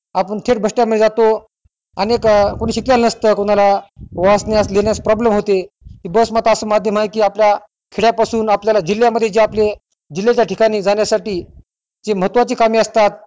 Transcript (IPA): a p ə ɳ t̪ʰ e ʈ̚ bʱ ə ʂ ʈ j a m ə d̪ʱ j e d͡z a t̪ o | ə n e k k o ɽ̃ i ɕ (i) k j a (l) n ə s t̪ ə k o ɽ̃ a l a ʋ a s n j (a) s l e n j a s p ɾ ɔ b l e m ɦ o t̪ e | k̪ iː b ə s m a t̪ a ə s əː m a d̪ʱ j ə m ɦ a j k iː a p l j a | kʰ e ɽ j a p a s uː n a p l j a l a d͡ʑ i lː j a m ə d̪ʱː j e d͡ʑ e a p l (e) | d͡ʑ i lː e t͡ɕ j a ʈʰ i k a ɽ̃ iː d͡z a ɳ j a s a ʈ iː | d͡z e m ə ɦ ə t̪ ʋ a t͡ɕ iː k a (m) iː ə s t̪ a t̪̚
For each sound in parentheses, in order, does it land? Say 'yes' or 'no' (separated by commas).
yes, yes, yes, yes, yes